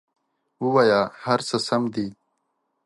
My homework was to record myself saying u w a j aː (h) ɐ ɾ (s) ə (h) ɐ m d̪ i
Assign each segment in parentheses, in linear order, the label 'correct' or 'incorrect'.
correct, correct, incorrect: s

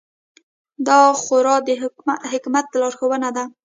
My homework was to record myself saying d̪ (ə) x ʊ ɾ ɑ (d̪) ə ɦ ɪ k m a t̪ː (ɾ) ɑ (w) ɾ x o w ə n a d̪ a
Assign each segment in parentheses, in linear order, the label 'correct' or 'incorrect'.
incorrect: ɑ, correct, incorrect: l, incorrect: none

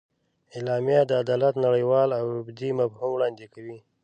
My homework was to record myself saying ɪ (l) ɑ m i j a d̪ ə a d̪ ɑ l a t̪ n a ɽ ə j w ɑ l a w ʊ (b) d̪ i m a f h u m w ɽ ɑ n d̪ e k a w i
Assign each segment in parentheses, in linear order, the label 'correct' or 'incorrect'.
correct, correct

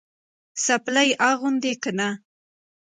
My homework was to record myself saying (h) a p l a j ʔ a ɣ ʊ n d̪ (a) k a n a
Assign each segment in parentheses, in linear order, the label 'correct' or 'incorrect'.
incorrect: s, incorrect: e

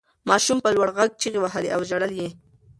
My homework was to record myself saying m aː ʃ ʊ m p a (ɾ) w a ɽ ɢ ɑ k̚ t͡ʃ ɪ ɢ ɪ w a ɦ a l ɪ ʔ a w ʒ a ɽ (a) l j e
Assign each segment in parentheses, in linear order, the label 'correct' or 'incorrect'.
incorrect: l, correct

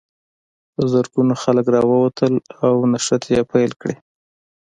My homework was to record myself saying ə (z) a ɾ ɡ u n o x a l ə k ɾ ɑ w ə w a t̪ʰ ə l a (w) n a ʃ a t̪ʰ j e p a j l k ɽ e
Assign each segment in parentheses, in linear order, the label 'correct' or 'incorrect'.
correct, correct

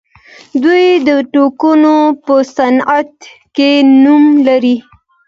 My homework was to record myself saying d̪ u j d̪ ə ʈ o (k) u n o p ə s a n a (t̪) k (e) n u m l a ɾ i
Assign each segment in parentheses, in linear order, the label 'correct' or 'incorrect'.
correct, correct, correct

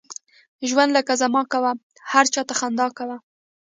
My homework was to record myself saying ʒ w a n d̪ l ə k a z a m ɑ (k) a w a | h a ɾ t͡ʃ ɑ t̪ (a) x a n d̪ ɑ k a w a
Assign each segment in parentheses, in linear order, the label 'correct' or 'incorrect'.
correct, correct

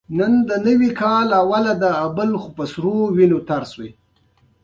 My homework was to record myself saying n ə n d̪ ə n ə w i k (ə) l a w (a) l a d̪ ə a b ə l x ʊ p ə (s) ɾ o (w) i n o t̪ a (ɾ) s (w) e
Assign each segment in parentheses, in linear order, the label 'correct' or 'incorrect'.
incorrect: ɑ, correct, correct, correct, correct, correct

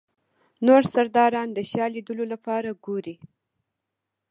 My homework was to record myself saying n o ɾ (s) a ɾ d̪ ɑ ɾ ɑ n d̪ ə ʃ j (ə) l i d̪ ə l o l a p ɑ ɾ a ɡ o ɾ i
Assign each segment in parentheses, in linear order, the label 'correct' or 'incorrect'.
correct, incorrect: ɑ

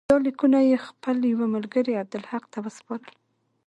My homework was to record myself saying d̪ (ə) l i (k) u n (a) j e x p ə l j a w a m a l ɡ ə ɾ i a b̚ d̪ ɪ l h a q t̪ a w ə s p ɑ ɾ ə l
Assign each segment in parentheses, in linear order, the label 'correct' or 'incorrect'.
incorrect: ɑ, correct, correct

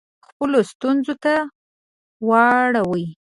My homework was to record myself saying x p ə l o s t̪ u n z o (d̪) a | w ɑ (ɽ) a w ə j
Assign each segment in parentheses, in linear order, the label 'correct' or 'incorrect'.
incorrect: t̪, correct

